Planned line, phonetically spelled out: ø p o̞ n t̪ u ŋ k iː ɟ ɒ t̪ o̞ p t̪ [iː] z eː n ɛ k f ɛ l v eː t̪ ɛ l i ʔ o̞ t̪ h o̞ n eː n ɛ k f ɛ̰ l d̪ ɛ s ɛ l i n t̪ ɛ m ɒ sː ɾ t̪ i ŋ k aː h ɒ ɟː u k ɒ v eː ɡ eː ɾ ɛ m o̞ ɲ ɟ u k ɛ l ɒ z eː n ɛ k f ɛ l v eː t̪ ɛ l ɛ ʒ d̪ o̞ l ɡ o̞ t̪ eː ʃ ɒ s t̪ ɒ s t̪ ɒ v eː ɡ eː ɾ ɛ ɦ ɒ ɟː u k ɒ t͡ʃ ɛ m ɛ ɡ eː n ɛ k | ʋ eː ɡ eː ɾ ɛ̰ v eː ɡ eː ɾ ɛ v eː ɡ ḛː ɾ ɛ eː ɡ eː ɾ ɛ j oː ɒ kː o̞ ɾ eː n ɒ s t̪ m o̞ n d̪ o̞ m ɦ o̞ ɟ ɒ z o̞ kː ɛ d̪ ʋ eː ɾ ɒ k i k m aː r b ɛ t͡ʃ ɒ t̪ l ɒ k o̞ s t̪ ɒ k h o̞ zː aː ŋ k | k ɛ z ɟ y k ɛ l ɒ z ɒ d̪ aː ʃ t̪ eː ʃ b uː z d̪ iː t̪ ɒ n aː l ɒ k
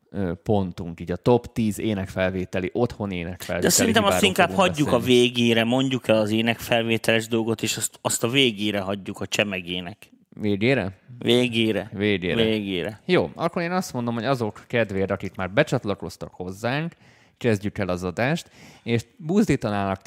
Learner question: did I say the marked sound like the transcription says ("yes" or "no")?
yes